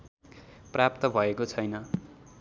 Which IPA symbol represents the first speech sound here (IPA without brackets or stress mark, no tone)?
p